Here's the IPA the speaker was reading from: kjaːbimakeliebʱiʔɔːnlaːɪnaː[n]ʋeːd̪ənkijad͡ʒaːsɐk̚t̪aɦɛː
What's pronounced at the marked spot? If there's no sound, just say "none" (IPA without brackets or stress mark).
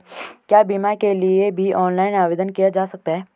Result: none